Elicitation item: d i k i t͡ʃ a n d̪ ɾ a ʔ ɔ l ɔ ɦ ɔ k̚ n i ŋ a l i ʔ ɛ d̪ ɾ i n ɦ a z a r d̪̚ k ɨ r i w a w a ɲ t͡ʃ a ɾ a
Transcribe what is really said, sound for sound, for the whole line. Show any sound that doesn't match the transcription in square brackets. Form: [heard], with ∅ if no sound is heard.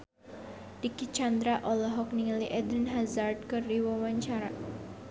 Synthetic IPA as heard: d i k i t͡ʃ a n d̪ ɾ a ʔ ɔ l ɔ ɦ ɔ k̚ n i ŋ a l i ʔ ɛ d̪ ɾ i n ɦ a z a r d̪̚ k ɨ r i w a w a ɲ t͡ʃ a ɾ a